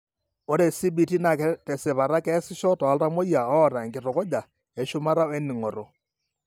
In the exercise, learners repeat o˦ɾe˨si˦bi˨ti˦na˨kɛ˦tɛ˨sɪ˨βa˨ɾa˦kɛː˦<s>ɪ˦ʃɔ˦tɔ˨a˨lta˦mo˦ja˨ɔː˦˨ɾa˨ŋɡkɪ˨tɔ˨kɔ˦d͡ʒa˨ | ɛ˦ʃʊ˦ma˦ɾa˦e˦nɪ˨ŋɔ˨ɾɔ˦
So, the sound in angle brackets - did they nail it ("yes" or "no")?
yes